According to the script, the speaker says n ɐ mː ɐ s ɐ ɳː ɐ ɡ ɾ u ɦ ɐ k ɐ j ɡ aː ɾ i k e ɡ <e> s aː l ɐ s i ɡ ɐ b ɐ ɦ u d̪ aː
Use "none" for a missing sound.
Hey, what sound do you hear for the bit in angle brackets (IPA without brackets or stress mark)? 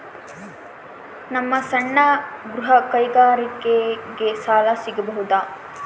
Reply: e